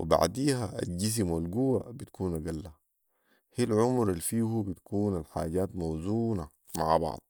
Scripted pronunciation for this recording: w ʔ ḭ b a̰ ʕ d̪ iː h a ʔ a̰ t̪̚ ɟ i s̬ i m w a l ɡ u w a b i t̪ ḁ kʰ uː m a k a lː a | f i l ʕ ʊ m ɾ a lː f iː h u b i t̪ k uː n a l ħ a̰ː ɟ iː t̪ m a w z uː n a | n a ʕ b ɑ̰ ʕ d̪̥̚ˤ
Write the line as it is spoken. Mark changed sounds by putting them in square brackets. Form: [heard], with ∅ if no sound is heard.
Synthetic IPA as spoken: w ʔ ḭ b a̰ ʕ d̪ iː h a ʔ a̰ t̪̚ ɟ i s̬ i m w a l ɡ u w a b i t̪ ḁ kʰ uː [n] a [ɡ] a lː a | [h] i l ʕ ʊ m ɾ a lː f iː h u b i t̪ k uː n a l ħ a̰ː ɟ [aː] t̪ m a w z uː n a | [m] a ʕ b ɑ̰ ʕ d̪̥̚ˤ